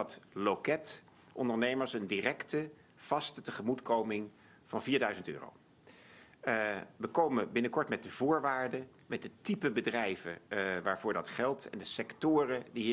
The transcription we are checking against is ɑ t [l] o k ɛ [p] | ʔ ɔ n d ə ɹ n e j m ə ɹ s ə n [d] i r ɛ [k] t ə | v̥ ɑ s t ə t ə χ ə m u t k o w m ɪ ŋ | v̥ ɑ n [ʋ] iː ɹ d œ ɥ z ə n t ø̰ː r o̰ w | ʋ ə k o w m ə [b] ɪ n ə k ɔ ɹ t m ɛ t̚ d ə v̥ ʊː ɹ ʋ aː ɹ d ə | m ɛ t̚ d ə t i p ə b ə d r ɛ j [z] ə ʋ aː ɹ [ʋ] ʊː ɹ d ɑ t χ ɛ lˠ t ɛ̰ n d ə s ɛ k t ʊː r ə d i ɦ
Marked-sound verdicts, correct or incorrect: correct, incorrect: t, correct, correct, incorrect: v, correct, incorrect: v, incorrect: v

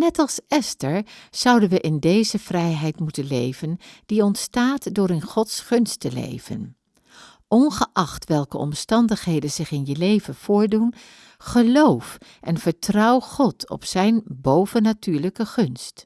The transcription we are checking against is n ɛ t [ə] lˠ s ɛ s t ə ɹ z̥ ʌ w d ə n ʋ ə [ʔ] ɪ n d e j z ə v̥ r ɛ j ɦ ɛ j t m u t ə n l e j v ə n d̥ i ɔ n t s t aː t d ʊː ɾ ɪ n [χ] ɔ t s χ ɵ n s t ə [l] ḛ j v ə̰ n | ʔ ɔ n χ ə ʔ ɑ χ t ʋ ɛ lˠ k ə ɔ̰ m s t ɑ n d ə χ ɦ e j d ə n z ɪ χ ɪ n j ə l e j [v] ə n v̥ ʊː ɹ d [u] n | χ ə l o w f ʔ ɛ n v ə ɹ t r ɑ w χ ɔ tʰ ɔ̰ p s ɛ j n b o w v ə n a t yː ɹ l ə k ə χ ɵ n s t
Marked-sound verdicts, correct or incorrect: incorrect: ɑ, correct, correct, correct, correct, correct

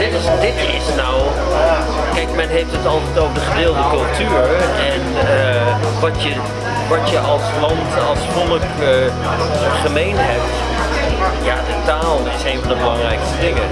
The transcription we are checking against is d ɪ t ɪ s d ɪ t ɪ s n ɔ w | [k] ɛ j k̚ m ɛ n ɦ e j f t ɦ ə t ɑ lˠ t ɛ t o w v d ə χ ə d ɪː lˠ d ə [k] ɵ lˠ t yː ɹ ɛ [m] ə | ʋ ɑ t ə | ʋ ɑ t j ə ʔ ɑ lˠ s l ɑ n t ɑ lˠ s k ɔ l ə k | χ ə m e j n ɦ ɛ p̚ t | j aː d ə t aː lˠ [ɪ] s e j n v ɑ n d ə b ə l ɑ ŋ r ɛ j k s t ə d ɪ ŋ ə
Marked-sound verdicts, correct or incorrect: correct, correct, incorrect: n, correct

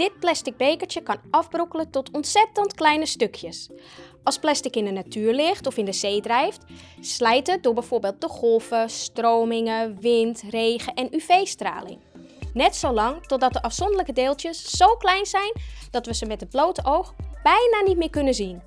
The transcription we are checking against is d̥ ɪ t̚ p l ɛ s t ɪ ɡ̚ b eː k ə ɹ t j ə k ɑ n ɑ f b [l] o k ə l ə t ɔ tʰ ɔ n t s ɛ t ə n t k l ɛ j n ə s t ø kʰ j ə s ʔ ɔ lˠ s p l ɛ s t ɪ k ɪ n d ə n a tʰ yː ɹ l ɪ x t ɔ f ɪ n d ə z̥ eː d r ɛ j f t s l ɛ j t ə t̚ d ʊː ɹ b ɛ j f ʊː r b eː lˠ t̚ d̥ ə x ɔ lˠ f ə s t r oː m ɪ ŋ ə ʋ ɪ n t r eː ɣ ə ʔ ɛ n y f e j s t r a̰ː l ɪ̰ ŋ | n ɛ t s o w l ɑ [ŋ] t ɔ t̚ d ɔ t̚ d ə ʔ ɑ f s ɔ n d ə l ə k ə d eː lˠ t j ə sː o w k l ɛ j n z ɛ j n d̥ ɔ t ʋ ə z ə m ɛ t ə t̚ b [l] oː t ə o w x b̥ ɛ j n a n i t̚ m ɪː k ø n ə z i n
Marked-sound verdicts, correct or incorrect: incorrect: r, correct, correct

